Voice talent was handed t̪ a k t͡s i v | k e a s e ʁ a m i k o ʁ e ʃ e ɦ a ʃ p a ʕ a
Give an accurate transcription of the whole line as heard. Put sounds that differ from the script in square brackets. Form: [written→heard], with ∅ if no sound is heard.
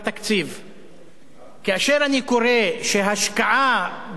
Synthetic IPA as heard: t̪ a k t͡s i v | k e a [s→ʃ] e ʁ a [m→n] i k o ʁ e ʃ e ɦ a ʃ [p→k] a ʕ a